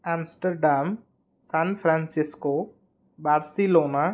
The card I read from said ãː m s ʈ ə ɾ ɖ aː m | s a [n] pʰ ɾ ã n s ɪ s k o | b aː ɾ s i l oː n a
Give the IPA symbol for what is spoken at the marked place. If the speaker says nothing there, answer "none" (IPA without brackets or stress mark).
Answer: n